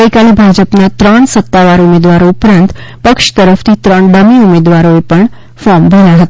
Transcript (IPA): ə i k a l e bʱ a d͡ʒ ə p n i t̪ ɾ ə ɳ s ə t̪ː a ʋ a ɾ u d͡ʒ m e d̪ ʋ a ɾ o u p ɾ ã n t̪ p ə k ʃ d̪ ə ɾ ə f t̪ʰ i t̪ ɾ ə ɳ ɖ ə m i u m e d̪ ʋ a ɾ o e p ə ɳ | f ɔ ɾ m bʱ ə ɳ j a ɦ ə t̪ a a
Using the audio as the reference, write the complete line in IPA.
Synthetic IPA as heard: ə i k a l e bʱ a d͡ʒ ə p n a t̪ ɾ ə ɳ s ə t̪ː a ʋ a ɾ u m e d̪ ʋ a ɾ o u p ɾ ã n t̪ p ə k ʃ t̪ ə ɾ ə f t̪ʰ i t̪ ɾ ə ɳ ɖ ə m i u m e d̪ ʋ a ɾ o e p ə ɳ | f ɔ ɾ m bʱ ə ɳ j a ɦ ə t̪ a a